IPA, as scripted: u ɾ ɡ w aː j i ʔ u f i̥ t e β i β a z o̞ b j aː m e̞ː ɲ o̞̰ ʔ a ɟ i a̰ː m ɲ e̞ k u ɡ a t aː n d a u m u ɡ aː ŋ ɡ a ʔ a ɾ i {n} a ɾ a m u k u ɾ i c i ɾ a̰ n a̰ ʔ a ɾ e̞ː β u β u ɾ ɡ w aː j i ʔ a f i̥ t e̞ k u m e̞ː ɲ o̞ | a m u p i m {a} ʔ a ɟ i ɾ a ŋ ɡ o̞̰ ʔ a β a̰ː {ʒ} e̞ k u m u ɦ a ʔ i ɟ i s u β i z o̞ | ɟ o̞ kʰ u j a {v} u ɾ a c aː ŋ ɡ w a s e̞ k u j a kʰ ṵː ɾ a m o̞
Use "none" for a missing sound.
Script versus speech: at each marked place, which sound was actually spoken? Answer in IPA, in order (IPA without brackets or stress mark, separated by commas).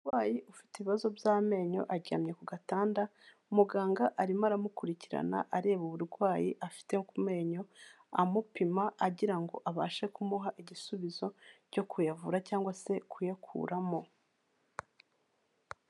m, a, ʃ, v